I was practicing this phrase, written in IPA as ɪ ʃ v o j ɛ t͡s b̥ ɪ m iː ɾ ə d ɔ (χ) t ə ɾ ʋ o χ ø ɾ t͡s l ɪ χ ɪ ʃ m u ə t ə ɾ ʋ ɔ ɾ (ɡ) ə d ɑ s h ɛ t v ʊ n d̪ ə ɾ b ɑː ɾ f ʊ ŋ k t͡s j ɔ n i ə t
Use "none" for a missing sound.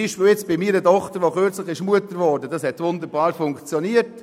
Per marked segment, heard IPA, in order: χ, d

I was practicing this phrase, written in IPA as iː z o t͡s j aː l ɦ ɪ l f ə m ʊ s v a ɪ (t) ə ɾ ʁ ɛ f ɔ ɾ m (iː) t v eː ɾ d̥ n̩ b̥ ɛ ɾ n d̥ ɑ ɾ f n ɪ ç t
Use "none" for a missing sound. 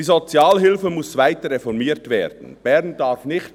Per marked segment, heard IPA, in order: t, iː

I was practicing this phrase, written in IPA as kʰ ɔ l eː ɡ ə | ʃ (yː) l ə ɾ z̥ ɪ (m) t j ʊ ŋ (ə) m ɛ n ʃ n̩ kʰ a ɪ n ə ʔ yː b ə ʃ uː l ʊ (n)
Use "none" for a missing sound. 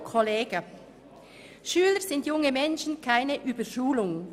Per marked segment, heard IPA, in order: yː, n, ə, ŋ

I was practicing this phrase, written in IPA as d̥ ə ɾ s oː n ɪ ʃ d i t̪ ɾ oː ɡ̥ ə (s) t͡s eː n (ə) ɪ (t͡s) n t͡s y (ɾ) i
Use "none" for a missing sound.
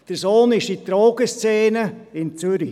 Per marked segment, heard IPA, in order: s, ə, none, ɾ

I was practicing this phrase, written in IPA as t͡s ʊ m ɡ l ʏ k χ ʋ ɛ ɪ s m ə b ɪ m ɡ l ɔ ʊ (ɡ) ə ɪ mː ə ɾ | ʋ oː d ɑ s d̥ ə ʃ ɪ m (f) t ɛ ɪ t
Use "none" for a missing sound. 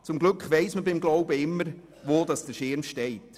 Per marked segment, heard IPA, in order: b, ʃ

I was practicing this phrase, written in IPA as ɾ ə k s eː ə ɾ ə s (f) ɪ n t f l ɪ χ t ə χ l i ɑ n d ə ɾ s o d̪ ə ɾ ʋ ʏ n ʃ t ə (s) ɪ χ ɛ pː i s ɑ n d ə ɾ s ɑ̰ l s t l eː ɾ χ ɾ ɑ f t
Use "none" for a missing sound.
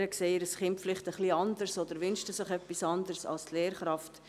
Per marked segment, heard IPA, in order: χ, s

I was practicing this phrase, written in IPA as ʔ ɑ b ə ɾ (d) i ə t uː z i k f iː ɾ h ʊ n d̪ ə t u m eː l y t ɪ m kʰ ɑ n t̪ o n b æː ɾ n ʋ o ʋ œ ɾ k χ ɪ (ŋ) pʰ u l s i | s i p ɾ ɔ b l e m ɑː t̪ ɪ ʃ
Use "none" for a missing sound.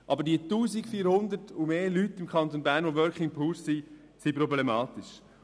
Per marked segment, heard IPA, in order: d, ŋ

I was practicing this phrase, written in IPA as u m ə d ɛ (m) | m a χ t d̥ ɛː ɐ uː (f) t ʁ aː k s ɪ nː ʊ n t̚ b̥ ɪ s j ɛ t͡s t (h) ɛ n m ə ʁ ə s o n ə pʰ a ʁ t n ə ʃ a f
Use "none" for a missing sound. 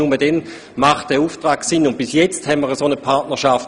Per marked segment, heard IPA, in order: n, f, h

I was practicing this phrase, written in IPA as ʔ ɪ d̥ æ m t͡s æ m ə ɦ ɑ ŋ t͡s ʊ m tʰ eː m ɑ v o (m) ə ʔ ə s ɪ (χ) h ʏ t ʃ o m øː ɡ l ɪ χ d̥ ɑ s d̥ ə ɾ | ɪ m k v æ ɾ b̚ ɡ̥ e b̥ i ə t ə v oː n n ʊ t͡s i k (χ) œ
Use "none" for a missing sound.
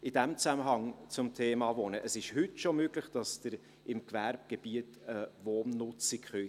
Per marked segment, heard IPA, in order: n, ʃ, χ

